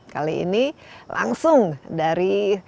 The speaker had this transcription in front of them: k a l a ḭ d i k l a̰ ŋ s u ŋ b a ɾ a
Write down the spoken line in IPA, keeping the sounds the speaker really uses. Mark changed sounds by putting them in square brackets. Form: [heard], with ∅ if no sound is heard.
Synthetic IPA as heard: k a l [i] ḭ [n] i [∅] l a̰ ŋ s [ʊ] ŋ [d] a ɾ [i]